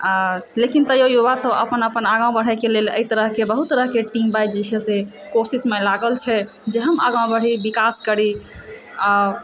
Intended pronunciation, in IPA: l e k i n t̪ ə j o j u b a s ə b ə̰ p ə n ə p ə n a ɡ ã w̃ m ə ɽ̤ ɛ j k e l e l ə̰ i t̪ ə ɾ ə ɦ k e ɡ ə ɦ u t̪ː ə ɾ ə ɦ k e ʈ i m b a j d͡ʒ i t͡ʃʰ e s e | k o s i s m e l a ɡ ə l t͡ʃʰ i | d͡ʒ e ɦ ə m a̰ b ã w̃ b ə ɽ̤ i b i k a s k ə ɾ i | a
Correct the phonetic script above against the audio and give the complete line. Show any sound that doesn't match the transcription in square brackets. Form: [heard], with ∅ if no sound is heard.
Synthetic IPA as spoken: l e k i n t̪ ə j o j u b a s ə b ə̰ p ə n ə p ə n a ɡ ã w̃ [b] ə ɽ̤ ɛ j k e l e l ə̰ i t̪ ə ɾ ə ɦ k e [b] ə ɦ u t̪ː ə ɾ ə ɦ k e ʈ i m b a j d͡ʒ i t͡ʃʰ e s e | k o s i s m e l a ɡ ə l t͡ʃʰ [ɛ] | d͡ʒ e ɦ ə m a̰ [ɡ] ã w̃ b ə ɽ̤ i b i k a s k ə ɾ i | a

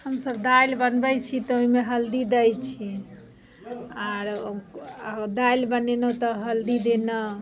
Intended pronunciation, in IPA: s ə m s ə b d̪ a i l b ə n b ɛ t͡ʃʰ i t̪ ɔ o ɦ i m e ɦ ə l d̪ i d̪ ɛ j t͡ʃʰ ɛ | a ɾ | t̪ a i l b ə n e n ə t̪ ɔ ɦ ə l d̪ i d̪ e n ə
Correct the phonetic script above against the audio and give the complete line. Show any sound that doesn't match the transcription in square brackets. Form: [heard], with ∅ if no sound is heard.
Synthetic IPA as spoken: [h] ə m s ə b d̪ a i l b ə n b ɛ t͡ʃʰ i t̪ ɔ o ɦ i m e ɦ ə l d̪ i d̪ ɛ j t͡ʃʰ [i] | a ɾ | [d̪] a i l b ə n e n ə t̪ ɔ ɦ ə l d̪ i d̪ e n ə

